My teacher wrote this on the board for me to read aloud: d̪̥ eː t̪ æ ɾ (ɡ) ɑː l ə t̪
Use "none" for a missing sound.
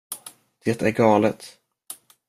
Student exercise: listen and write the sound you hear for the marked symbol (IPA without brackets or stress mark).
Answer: ɡ